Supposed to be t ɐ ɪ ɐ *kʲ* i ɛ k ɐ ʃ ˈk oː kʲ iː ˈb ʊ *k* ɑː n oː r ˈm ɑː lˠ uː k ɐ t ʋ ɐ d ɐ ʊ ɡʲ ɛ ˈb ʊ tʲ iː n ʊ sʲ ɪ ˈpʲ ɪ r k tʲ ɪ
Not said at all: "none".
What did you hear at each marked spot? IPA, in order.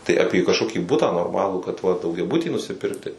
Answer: pʲ, t

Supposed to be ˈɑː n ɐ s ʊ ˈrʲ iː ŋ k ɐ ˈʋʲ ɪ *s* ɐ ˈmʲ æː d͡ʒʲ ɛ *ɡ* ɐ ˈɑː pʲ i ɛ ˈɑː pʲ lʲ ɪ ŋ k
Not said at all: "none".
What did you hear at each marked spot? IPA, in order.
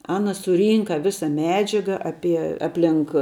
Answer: s, ɡ

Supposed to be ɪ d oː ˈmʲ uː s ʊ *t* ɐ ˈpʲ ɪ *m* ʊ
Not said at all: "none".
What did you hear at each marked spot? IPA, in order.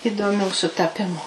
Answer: t, m

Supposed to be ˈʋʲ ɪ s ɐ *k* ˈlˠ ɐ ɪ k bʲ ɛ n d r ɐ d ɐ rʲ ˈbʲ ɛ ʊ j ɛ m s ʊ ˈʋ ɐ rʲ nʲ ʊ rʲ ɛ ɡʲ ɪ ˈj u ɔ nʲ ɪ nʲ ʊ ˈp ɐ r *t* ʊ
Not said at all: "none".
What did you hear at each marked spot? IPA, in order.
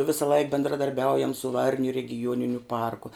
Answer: none, k

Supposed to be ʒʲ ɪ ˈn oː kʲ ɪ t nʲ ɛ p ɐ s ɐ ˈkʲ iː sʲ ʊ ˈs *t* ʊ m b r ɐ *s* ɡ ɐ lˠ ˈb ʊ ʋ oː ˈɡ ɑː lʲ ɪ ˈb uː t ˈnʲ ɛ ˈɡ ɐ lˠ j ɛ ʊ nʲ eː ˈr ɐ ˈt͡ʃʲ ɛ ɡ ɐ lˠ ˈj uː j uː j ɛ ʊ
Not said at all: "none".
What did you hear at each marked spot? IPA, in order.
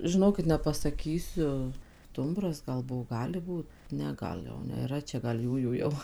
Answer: t, s

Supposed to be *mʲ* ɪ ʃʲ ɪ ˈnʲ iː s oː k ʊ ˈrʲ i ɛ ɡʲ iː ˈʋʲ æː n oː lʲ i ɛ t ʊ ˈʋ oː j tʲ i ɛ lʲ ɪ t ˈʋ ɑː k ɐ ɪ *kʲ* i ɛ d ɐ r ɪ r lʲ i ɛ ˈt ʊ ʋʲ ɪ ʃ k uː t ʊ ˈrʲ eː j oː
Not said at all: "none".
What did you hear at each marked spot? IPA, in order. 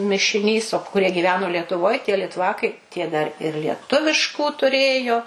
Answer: mʲ, tʲ

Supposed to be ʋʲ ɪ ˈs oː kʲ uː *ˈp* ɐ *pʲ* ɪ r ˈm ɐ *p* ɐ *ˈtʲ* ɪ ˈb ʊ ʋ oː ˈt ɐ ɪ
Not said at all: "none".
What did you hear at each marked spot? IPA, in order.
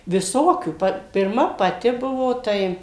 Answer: p, pʲ, p, tʲ

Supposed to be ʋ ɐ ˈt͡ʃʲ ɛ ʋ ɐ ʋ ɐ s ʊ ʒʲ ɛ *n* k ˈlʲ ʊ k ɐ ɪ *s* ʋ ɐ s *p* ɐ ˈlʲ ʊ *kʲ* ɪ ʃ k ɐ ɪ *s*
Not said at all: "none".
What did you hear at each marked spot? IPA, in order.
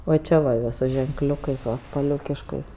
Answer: ŋ, s, p, kʲ, s

